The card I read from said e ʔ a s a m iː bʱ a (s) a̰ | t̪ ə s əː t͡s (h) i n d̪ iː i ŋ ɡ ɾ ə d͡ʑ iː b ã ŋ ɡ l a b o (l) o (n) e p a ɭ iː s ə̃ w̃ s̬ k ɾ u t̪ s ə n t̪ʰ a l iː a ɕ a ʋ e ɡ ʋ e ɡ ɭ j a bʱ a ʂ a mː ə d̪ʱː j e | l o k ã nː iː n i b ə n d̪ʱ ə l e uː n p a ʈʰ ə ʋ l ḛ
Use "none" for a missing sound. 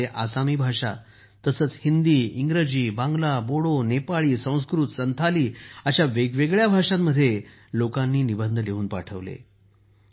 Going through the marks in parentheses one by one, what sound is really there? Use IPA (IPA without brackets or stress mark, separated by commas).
ʂ, h, ɽ, n